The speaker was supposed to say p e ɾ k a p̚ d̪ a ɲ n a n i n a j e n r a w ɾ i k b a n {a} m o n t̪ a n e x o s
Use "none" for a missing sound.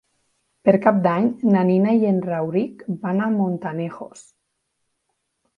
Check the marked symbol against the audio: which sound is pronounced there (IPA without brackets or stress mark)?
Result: a